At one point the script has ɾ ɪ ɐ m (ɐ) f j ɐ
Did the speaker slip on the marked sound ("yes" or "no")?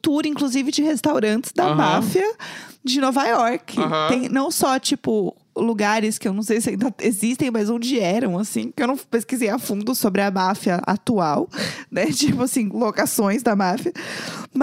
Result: yes